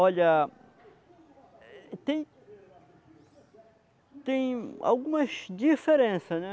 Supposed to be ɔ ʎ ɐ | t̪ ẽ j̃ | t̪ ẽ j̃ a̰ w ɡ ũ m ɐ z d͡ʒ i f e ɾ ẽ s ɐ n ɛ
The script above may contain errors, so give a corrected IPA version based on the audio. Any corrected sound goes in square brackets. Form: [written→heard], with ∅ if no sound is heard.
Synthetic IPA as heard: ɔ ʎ ɐ | t̪ ẽ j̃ | t̪ ẽ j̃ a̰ w ɡ ũ m ɐ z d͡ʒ i f e ɾ ẽ s ɐ n ɛ